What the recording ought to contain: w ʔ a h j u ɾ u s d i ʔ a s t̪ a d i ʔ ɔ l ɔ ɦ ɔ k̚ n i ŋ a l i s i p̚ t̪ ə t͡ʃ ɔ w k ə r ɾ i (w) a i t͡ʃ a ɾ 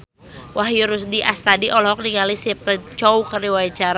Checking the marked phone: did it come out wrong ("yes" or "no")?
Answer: no